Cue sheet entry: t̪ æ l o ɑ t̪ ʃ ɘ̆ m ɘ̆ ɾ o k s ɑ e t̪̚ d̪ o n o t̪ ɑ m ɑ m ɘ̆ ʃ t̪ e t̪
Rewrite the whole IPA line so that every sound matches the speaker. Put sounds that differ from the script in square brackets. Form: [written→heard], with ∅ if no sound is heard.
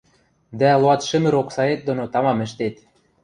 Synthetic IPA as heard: [t̪→d̪] æ l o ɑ t̪ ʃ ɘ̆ m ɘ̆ ɾ o k s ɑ e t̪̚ d̪ o n o t̪ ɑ m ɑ m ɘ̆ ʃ t̪ e t̪

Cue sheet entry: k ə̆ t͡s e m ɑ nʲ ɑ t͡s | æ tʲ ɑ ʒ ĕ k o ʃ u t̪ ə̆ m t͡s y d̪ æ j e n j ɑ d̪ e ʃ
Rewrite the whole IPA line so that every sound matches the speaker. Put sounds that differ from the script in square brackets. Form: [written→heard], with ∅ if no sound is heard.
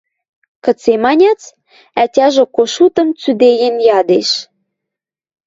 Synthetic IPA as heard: k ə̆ t͡s e m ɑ nʲ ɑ t͡s | æ tʲ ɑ ʒ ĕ k o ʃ u t̪ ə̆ m t͡s y d̪ [æ→e] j e n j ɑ d̪ e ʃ

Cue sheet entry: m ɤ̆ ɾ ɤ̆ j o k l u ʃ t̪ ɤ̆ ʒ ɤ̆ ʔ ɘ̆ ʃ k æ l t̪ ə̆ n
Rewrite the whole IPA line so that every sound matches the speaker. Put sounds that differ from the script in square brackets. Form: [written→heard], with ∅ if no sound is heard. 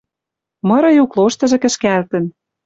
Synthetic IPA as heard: m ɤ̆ ɾ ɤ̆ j [o→u] k l [u→o] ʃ t̪ ɤ̆ ʒ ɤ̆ [ʔ→k] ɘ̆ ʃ k æ l t̪ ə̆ n

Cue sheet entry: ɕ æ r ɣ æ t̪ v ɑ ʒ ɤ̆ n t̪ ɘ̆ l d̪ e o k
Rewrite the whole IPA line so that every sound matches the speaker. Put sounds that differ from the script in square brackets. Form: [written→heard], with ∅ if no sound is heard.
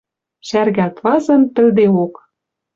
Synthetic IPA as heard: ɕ æ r ɣ æ t̪ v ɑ [ʒ→z] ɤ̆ n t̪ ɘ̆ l d̪ e o k

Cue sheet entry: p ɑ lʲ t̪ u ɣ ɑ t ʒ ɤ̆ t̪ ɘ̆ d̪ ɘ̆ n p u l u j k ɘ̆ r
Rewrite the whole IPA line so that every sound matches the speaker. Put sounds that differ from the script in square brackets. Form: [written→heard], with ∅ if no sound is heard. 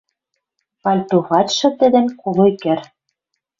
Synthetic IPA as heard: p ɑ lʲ t̪ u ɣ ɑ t [ʒ→ʃ] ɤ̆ t̪ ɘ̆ d̪ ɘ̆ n [p→k] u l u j k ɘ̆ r

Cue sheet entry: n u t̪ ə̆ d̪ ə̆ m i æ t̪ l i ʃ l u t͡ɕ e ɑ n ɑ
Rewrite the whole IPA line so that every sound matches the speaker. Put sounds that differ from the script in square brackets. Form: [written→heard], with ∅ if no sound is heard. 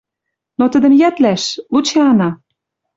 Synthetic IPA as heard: n [u→o] t̪ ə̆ d̪ ə̆ m [i→j] æ t̪ l [i→æ] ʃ l u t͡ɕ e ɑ n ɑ

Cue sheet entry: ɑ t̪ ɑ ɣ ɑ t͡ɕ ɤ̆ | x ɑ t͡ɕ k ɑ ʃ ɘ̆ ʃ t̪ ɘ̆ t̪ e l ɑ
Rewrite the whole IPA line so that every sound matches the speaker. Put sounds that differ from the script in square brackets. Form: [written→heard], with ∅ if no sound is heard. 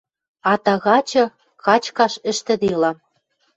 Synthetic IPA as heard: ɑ t̪ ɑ ɣ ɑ t͡ɕ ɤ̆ | [x→k] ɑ t͡ɕ k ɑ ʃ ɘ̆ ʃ t̪ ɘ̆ [t̪→d̪] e l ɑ

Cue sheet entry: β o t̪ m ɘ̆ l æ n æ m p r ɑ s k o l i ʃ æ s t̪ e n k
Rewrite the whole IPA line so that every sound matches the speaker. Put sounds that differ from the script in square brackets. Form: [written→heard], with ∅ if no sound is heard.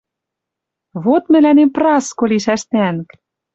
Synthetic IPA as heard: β o t̪ m ɘ̆ l æ n [æ→e] m p r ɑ s k o l i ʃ æ [s→ʃ] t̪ [e→æ] n k

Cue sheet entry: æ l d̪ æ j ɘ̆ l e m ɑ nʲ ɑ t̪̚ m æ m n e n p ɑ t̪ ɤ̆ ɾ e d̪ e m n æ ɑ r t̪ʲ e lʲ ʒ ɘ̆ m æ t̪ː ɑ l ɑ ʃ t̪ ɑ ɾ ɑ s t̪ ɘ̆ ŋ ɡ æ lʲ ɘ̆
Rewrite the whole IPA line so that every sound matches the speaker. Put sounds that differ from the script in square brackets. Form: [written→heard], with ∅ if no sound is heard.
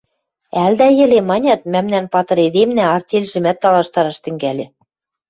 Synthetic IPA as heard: æ l d̪ æ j ɘ̆ l e m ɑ nʲ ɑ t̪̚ m æ m n [e→æ] n p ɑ t̪ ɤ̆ ɾ e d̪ e m n æ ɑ r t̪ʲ e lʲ ʒ ɘ̆ m æ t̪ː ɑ l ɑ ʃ t̪ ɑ ɾ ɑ [s→ʃ] t̪ ɘ̆ ŋ ɡ æ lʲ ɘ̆

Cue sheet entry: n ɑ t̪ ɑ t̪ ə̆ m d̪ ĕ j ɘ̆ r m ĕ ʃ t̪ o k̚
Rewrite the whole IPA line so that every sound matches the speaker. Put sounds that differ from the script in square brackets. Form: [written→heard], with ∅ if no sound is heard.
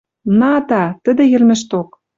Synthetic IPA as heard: n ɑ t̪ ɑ t̪ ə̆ [m→∅] d̪ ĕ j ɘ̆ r m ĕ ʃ t̪ o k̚

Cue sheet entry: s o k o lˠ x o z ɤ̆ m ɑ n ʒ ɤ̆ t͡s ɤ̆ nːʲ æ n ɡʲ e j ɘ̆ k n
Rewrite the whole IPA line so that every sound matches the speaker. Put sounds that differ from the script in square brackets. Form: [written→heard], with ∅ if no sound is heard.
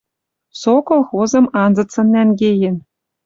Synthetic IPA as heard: s o k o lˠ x o z ɤ̆ m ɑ n [ʒ→z] ɤ̆ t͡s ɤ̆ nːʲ æ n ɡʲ e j ɘ̆ [k→∅] n

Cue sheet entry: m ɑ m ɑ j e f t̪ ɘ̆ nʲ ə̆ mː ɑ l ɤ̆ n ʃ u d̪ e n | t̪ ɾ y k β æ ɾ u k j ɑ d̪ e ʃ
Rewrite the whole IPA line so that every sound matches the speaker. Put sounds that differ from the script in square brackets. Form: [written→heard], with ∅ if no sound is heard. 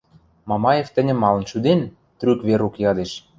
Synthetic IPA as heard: m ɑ m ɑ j e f t̪ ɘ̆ nʲ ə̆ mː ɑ l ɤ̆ n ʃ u d̪ e n | t̪ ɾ y k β [æ→e] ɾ u k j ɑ d̪ e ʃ

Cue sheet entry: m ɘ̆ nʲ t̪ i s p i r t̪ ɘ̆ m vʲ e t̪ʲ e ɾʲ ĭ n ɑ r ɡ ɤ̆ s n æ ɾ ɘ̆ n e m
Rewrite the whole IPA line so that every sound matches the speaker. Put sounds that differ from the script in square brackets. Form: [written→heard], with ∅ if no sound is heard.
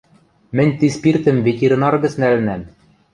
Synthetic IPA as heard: m ɘ̆ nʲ t̪ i s p i r t̪ ɘ̆ m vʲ e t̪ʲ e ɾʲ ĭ n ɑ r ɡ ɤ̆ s n æ [ɾ→l] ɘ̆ n [e→æ] m

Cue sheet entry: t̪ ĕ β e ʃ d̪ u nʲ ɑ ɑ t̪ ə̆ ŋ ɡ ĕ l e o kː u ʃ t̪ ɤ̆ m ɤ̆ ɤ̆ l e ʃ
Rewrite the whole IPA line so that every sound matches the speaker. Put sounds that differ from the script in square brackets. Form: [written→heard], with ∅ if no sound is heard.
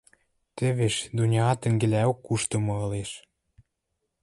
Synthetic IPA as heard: t̪ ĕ β e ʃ d̪ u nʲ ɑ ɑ t̪ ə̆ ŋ ɡ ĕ l [e→æ] o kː u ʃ t̪ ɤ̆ m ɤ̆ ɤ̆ l e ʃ

